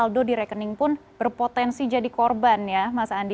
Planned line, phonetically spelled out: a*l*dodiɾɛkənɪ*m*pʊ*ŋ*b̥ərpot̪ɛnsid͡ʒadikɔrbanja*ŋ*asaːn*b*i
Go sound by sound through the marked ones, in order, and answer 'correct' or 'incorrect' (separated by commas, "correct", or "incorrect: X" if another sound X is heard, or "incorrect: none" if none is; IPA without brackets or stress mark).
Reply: correct, incorrect: ŋ, incorrect: n, incorrect: m, incorrect: d